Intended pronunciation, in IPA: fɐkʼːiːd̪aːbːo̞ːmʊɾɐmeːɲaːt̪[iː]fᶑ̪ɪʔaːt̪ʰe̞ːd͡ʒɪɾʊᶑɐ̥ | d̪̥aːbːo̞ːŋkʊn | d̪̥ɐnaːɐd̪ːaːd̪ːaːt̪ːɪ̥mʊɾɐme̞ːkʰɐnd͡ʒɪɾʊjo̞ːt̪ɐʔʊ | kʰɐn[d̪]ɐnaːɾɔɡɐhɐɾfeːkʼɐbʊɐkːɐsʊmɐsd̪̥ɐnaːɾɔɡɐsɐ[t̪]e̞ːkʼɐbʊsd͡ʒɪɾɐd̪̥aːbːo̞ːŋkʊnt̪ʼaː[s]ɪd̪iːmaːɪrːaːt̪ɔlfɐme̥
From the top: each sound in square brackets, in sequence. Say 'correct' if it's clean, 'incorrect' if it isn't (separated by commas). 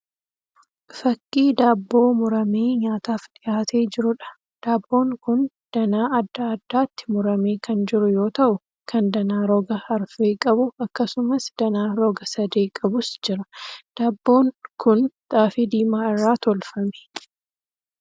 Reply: incorrect, correct, incorrect, incorrect